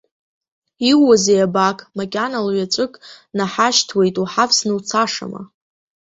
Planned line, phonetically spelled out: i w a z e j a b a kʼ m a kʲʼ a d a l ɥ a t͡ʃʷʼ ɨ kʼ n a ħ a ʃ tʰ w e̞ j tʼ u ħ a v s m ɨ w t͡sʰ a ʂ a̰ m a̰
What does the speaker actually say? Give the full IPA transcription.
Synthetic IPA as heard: i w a z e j a b a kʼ m a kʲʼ a n a l ɥ a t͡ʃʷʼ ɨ kʼ n a ħ a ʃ tʰ w e̞ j tʼ u ħ a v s n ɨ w t͡sʰ a ʂ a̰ m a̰